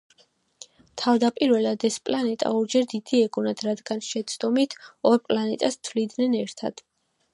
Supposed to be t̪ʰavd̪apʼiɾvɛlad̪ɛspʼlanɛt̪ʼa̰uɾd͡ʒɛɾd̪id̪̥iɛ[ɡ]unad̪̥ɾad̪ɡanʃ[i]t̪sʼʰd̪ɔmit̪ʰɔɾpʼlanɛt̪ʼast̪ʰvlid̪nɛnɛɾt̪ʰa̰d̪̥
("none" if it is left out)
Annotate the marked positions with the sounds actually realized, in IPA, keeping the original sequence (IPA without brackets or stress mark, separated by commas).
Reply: ɡ, ɛ